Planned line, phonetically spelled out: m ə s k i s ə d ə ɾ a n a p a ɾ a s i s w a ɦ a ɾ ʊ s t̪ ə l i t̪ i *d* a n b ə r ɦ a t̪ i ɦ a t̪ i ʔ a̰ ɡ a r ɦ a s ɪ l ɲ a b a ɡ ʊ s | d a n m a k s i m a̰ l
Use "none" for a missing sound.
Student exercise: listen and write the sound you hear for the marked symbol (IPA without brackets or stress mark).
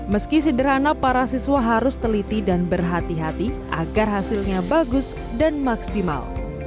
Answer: d